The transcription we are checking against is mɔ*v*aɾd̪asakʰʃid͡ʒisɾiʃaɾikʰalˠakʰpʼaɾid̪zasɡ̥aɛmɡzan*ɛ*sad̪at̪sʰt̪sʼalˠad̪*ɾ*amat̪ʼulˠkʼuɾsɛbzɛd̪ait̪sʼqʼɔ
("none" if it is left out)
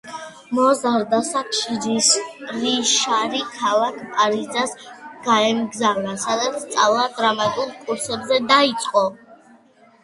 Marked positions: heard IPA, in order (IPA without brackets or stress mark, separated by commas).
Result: z, a, ɾ